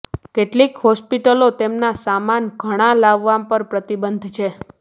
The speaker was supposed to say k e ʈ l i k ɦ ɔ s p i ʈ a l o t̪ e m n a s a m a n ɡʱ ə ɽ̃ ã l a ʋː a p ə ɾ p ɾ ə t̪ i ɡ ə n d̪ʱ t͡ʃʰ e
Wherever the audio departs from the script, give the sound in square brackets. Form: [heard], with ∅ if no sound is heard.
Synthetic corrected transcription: k e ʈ l i k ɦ ɔ s p i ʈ [ə] l o t̪ e m n a s a m a n ɡʱ ə ɽ̃ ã l a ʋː a p ə ɾ p ɾ ə t̪ i [b] ə n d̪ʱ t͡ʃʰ e